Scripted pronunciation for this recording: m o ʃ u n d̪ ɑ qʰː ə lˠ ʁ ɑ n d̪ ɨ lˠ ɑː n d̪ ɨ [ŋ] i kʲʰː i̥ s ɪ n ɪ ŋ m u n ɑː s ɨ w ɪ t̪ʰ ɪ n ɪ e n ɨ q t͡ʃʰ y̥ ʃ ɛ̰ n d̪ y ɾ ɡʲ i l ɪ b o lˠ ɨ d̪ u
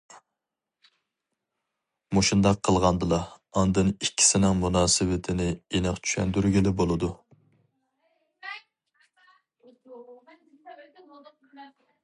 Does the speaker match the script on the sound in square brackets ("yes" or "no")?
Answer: no